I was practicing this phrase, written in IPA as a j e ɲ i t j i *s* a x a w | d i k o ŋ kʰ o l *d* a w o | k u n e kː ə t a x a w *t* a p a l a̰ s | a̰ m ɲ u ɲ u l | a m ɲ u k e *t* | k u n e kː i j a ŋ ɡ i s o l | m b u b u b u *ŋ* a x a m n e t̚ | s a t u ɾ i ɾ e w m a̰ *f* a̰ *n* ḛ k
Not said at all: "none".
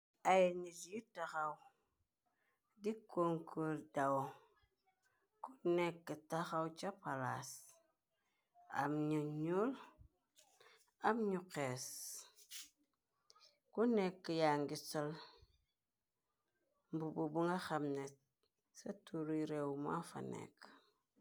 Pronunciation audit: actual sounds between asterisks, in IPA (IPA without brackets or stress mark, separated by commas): t, d, t͡ʃ, s, ŋ, f, n